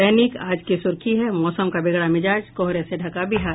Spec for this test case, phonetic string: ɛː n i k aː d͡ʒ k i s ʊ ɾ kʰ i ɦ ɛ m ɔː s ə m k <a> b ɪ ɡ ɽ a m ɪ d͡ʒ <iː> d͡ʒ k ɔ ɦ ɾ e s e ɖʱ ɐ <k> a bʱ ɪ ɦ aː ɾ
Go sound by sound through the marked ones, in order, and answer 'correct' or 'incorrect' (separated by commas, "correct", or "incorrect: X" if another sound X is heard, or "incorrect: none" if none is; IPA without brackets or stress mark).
correct, incorrect: aː, correct